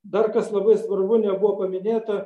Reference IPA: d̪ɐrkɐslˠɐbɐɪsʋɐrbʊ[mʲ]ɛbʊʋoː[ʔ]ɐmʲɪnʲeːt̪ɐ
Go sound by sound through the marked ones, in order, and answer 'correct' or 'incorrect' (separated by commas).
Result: incorrect, incorrect